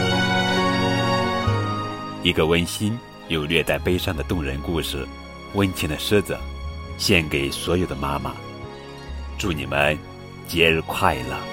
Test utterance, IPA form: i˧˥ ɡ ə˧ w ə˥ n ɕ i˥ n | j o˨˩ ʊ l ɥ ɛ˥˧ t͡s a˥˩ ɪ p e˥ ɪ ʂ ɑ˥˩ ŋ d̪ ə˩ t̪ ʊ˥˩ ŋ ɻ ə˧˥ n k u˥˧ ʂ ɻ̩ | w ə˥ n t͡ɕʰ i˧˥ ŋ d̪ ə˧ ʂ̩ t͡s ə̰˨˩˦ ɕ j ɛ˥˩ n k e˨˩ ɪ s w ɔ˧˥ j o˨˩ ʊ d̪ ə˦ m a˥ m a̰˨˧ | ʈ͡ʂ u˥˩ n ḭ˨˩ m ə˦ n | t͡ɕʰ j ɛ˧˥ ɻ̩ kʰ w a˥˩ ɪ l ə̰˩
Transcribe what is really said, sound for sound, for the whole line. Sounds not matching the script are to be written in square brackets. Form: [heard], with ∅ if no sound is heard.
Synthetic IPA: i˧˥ ɡ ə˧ w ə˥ n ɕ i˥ n | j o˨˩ ʊ l ɥ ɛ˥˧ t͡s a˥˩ ɪ p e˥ ɪ ʂ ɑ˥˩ ŋ d̪ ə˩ t̪ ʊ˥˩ ŋ ɻ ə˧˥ n k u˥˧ ʂ ɻ̩ | w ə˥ n t͡ɕʰ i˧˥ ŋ d̪ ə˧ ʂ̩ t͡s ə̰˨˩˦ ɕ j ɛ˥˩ n k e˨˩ ɪ s w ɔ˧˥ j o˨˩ ʊ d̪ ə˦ m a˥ m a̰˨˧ | ʈ͡ʂ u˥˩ n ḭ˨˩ m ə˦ n | [t͡ɕ] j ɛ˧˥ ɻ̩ kʰ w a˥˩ ɪ l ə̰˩